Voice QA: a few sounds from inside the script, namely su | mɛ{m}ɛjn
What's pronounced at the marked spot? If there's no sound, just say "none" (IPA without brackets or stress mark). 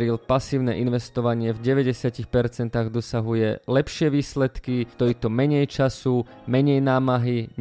ɲ